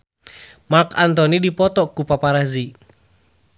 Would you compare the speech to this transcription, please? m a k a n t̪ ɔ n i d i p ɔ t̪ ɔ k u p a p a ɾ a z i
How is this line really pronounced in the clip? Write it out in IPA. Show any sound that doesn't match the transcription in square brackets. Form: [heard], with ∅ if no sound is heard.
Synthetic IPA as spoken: m a k a n t̪ ɔ n i d i p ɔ t̪ ɔ k u p a p a ɾ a z i